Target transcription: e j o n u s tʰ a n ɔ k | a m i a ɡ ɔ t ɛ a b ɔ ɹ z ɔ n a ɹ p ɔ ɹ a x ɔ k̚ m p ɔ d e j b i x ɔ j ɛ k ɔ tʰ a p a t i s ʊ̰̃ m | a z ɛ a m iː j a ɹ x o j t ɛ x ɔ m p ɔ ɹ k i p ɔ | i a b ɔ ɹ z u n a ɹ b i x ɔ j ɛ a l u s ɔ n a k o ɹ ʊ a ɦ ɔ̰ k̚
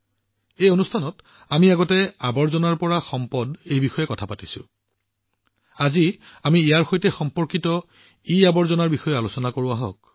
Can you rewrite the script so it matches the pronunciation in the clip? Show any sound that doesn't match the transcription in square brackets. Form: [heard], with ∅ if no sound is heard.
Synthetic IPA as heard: e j o n u s tʰ a n ɔ [t] | a m i a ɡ ɔ t ɛ a b ɔ ɹ z ɔ n a ɹ p ɔ ɹ a x ɔ [∅] m p ɔ d e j b i x ɔ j ɛ k ɔ tʰ a p a t i s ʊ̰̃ [∅] | a z [i] a m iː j a ɹ x o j t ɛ x ɔ m p ɔ ɹ k i [t] ɔ | i a b ɔ ɹ z [ɔ] n a ɹ b i x ɔ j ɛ a l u s ɔ n a k o ɹ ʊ a ɦ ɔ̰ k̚